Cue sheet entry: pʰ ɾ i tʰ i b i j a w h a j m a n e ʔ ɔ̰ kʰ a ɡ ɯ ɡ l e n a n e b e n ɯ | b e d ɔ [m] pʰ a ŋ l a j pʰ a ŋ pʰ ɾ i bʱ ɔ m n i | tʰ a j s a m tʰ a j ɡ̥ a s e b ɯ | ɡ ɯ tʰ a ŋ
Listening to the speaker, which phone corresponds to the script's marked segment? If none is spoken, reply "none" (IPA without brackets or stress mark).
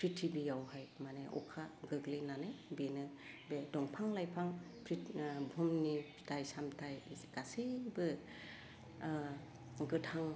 ŋ